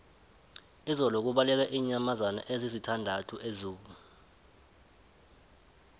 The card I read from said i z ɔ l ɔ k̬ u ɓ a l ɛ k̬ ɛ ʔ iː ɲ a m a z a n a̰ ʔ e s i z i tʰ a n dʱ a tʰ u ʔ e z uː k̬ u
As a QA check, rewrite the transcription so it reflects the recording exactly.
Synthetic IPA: i z ɔ l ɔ k̬ u ɓ a l ɛ k̬ ɛ ʔ iː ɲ a m a z a n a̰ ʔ e z i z i tʰ a n dʱ a tʰ u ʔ e z uː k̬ u